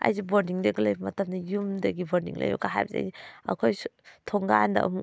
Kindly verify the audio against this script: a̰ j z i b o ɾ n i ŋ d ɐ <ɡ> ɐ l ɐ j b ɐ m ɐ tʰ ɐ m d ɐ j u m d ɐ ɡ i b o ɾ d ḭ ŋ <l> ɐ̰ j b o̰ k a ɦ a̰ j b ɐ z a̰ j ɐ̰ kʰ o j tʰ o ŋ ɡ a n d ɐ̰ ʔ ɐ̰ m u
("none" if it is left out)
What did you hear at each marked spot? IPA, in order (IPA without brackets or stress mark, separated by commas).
ɡ, l